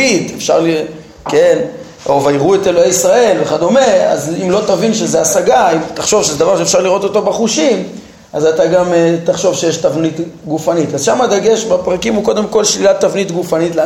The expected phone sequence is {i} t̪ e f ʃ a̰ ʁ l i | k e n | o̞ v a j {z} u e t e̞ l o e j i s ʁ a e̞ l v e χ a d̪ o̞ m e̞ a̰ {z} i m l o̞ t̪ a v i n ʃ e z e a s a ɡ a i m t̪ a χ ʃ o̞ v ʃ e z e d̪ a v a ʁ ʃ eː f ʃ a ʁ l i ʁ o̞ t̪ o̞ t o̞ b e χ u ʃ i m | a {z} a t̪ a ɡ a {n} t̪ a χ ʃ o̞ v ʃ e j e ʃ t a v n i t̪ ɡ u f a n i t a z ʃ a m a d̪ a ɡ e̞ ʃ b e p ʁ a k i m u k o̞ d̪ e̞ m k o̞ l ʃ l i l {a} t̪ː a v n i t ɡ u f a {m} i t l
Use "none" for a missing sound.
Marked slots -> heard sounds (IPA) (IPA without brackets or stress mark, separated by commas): i, ʁ, z, z, m, a, n